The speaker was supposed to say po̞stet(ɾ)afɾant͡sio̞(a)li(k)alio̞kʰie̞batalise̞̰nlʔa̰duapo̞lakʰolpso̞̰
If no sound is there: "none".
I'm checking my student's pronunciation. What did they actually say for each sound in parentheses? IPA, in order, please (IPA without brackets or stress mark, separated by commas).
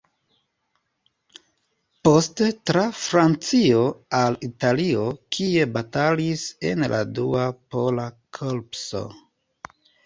ɾ, a, t